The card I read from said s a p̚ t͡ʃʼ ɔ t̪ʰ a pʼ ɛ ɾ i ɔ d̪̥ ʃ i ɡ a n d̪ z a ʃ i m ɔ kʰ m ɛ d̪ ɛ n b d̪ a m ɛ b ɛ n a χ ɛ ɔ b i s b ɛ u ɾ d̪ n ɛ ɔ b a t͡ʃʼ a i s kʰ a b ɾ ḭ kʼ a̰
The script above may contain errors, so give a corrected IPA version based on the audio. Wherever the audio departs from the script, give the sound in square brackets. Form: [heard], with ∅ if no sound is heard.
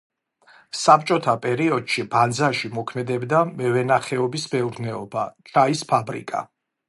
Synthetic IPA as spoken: s a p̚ t͡ʃʼ ɔ t̪ʰ a pʼ ɛ ɾ i ɔ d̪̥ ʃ i [b] a n d̪ z a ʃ i m ɔ kʰ m ɛ d̪ ɛ [∅] b d̪ a m ɛ [v] ɛ n a χ ɛ ɔ b i s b ɛ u ɾ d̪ n ɛ ɔ b a t͡ʃʼ a i s [pʰ] a b ɾ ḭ kʼ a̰

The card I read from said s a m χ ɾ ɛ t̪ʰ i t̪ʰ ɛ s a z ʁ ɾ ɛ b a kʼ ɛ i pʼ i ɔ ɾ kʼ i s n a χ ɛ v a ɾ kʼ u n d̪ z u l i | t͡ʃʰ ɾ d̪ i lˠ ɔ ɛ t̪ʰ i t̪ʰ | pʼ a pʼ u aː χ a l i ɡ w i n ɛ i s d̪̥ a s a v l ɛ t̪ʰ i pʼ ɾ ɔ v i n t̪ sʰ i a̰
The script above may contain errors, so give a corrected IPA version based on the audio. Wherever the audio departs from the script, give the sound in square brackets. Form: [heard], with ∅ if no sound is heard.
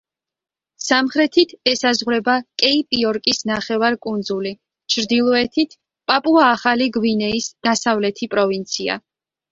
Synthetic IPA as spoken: s a m χ ɾ ɛ t̪ʰ i t̪ʰ ɛ s a z ʁ ɾ ɛ b a kʼ ɛ i pʼ i ɔ ɾ kʼ i s n a χ ɛ v a ɾ kʼ u n d̪ z u l i | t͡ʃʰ ɾ d̪ i lˠ ɔ ɛ t̪ʰ i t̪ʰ | pʼ a pʼ u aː χ a l i ɡ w i n ɛ i s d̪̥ a s a v l ɛ t̪ʰ i pʼ ɾ ɔ v i n t̪ sʰ i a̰

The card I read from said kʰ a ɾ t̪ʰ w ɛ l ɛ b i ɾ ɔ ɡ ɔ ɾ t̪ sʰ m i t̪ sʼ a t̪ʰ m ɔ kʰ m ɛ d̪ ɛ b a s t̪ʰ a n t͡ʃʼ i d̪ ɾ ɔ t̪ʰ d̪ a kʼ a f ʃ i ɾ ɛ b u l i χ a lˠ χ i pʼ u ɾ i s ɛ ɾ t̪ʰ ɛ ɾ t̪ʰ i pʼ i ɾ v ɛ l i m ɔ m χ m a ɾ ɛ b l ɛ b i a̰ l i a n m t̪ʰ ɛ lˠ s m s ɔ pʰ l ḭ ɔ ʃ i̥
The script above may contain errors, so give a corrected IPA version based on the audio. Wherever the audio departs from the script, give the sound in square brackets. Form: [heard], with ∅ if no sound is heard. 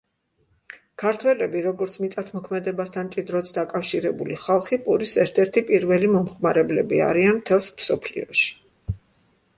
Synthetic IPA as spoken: kʰ a ɾ t̪ʰ w ɛ l ɛ b i ɾ ɔ ɡ ɔ ɾ t̪ sʰ m i t̪ sʼ a t̪ʰ m ɔ kʰ m ɛ d̪ ɛ b a s t̪ʰ a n t͡ʃʼ i d̪ ɾ ɔ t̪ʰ d̪ a kʼ a f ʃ i ɾ ɛ b u l i χ a lˠ χ i pʼ u ɾ i s ɛ ɾ t̪ʰ ɛ ɾ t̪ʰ i pʼ i ɾ v ɛ l i m ɔ m χ m a ɾ ɛ b l ɛ b i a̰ [ɾ] i a n m t̪ʰ ɛ lˠ s m s ɔ pʰ l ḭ ɔ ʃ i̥

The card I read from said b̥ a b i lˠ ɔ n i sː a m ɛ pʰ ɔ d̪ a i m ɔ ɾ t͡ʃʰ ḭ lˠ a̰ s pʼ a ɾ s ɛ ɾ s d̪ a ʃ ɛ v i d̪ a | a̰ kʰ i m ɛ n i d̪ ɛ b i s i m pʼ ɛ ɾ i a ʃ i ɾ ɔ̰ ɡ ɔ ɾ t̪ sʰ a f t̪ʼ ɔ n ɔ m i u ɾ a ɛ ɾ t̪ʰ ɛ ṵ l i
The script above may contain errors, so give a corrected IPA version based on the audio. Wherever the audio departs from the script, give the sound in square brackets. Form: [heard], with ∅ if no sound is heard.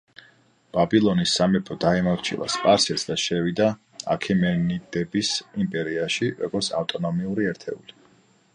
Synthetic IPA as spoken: b̥ a b i lˠ ɔ n i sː a m ɛ pʰ ɔ d̪ a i m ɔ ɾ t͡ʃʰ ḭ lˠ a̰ s pʼ a ɾ s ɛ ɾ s d̪ a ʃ ɛ v i d̪ a | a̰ kʰ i m ɛ n i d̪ ɛ b i s i m pʼ ɛ ɾ i a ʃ i ɾ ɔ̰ ɡ ɔ ɾ t̪ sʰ a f t̪ʼ ɔ n ɔ m i u ɾ [i] ɛ ɾ t̪ʰ ɛ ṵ l i

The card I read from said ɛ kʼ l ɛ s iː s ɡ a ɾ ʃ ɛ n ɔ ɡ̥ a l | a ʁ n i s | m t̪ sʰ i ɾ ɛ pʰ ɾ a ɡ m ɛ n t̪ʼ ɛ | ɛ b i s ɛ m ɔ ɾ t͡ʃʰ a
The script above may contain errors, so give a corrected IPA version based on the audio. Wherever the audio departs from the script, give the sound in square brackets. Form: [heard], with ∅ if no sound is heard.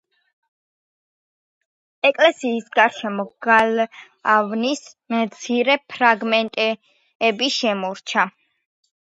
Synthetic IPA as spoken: ɛ kʼ l ɛ s iː s ɡ a ɾ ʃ ɛ [m] ɔ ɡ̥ a l | a [v] n i s | m t̪ sʰ i ɾ ɛ pʰ ɾ a ɡ m ɛ n t̪ʼ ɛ | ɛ b i [ʃ] ɛ m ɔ ɾ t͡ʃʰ a

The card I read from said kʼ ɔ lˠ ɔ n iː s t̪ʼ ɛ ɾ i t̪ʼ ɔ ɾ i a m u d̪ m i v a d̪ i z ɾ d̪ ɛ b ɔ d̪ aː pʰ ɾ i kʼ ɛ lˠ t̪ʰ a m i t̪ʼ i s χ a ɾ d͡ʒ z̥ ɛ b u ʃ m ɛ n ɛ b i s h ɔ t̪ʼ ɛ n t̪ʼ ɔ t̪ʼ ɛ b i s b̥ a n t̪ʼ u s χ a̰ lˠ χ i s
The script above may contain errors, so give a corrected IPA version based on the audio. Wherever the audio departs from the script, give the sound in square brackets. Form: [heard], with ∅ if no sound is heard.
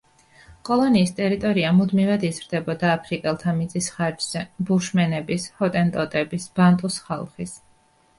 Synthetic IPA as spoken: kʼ ɔ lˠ ɔ n iː s t̪ʼ ɛ ɾ i t̪ʼ ɔ ɾ i a m u d̪ m i v a d̪ i z ɾ d̪ ɛ b ɔ d̪ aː pʰ ɾ i kʼ ɛ lˠ t̪ʰ a m i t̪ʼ i s χ a ɾ d͡ʒ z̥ ɛ b u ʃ m ɛ n ɛ b i s h ɔ t̪ʼ ɛ n t̪ʼ ɔ t̪ʼ ɛ b i s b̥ a n t̪ʼ u s χ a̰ lˠ χ i s

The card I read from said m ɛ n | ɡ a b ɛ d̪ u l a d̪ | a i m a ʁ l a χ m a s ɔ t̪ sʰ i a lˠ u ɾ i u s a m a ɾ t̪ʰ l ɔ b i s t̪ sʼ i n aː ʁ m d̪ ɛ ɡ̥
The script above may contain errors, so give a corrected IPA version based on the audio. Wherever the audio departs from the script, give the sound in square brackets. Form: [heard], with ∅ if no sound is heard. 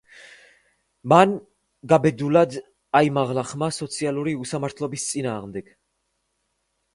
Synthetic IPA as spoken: m [a] n | ɡ a b ɛ d̪ u l a d̪ | a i m a ʁ l a χ m a s ɔ t̪ sʰ i a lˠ u ɾ i u s a m a ɾ t̪ʰ l ɔ b i s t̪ sʼ i n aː ʁ m d̪ ɛ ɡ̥

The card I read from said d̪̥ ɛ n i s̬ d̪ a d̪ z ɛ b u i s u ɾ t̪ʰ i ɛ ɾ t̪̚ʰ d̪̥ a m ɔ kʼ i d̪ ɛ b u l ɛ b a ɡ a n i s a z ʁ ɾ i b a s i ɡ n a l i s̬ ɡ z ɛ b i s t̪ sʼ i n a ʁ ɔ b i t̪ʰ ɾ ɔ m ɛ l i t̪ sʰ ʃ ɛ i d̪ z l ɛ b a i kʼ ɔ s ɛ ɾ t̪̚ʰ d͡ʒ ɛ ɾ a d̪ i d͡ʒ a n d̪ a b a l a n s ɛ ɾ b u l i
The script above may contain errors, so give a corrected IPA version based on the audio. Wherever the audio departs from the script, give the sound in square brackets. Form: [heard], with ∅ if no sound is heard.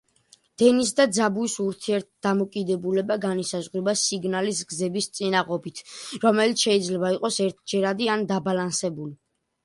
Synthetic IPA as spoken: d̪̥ ɛ n i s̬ d̪ a d̪ z [a] b u i s u ɾ t̪ʰ i ɛ ɾ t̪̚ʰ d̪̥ a m ɔ kʼ i d̪ ɛ b u l ɛ b a ɡ a n i s a z ʁ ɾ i b a s i ɡ n a l i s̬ ɡ z ɛ b i s t̪ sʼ i n a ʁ ɔ b i t̪ʰ ɾ ɔ m ɛ l i t̪ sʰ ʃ ɛ i d̪ z l ɛ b a i [qʼ] ɔ s ɛ ɾ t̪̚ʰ d͡ʒ ɛ ɾ a d̪ i [∅] a n d̪ a b a l a n s ɛ [∅] b u l i

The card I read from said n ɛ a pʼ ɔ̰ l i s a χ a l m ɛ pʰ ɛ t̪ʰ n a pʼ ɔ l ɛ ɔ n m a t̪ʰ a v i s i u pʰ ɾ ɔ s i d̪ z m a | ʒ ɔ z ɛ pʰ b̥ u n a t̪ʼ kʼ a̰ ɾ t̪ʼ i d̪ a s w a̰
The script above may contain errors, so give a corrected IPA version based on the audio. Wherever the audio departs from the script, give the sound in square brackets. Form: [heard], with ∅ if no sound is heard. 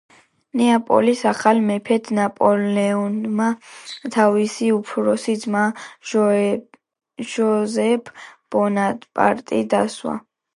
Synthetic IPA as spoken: n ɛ a pʼ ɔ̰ l i s a χ a l m ɛ pʰ ɛ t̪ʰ n a pʼ ɔ l ɛ ɔ n m a t̪ʰ a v i s i u pʰ ɾ ɔ s i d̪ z m a | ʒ ɔ z ɛ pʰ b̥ [ɔ] n a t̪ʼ [pʼ] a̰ ɾ t̪ʼ i d̪ a s w a̰

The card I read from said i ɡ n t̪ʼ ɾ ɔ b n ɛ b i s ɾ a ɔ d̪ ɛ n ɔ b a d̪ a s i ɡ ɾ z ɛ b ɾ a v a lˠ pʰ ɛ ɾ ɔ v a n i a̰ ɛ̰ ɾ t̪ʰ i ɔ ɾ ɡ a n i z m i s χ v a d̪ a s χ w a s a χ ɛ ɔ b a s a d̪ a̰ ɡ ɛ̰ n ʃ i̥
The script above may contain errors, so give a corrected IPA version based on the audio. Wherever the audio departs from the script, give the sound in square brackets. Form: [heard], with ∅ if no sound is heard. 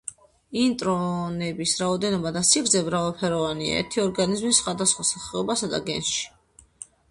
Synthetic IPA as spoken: i [∅] n t̪ʼ ɾ ɔ [∅] n ɛ b i s ɾ a ɔ d̪ ɛ n ɔ b a d̪ a s i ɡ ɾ z ɛ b ɾ a v a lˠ pʰ ɛ ɾ ɔ v a n i a̰ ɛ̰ ɾ t̪ʰ i ɔ ɾ ɡ a n i z m i s χ [w] a d̪ a s χ w a s a χ ɛ ɔ b a s a d̪ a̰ ɡ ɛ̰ n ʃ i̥

